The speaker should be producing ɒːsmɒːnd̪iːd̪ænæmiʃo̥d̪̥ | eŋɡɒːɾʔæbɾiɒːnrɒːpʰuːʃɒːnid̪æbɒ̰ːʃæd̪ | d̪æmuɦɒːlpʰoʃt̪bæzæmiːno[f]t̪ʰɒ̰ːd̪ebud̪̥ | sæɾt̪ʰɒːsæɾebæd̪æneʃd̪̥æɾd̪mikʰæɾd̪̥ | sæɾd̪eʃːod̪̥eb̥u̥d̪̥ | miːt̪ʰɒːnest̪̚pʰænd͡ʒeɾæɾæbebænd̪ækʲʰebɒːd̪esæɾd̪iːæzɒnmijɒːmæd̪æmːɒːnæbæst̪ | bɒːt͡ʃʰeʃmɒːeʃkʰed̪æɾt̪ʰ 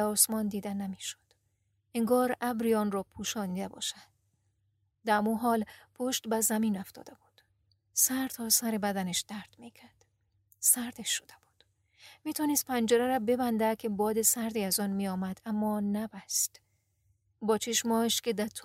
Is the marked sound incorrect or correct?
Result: correct